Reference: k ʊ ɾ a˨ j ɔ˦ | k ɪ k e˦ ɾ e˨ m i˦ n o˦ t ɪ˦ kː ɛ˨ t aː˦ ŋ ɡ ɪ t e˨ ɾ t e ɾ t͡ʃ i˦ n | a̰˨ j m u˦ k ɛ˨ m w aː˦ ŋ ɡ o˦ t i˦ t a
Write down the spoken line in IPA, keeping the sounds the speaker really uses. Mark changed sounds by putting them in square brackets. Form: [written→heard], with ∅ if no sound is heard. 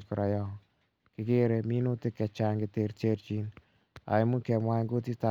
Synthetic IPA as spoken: k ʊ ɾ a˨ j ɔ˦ | k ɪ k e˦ ɾ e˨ m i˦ n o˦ t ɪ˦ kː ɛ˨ [t→t͡ʃ] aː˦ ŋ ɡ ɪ t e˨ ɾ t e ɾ t͡ʃ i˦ n | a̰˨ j m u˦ k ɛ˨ m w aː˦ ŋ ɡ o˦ t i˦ t a